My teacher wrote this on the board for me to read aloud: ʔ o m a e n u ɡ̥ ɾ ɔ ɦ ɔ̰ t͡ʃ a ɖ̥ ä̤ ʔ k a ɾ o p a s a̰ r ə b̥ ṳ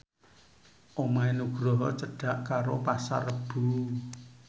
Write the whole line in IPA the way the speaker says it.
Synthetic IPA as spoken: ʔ o m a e n u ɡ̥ ɾ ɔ ɦ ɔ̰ t͡ʃ ə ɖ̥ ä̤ ʔ k a ɾ o p a s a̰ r ə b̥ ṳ